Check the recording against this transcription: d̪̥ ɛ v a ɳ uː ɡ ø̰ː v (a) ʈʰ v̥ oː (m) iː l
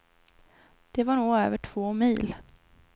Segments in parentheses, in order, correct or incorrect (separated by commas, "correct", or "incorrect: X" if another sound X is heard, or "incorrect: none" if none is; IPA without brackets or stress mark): incorrect: ə, correct